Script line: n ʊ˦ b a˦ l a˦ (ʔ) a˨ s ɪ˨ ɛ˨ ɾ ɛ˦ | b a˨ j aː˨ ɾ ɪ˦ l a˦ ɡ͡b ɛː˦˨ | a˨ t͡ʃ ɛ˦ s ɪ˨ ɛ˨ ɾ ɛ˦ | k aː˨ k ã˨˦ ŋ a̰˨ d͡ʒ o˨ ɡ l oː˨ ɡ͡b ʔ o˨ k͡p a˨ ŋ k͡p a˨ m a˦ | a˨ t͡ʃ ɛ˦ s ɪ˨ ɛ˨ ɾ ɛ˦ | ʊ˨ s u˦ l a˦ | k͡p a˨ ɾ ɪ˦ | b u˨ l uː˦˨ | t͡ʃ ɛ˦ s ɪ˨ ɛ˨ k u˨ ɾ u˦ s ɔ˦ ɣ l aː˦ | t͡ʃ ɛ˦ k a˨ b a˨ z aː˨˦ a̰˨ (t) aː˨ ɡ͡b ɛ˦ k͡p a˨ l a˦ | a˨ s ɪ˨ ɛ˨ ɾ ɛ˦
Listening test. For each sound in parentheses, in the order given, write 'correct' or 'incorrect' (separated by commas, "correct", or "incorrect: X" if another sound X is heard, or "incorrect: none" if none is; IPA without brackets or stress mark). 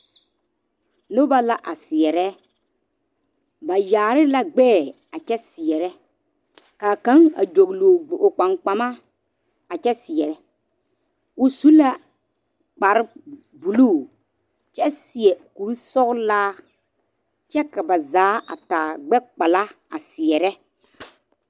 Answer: correct, correct